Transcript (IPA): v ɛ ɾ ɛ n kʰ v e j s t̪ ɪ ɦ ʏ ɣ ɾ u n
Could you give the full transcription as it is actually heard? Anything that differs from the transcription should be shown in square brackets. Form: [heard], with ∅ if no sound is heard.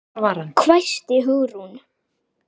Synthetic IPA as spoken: v [a] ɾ [a] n kʰ v [a] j s t̪ ɪ ɦ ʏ ɣ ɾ u n